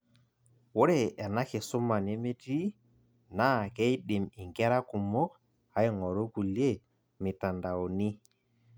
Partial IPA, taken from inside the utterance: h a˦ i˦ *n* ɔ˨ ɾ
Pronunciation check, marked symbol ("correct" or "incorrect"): incorrect